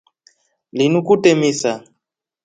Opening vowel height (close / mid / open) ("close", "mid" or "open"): close